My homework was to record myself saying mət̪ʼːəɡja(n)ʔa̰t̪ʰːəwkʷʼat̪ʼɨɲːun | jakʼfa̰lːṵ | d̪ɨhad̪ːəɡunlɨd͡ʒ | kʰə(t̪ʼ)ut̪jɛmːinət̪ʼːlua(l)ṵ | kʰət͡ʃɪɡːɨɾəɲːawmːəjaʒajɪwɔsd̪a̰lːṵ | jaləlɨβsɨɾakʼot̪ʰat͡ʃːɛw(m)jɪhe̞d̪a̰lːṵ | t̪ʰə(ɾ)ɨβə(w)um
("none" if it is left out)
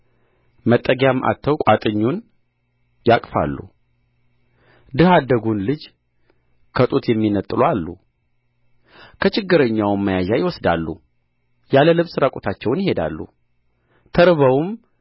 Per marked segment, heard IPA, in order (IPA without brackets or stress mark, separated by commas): m, t̪ʼ, lː, n, ɾ, w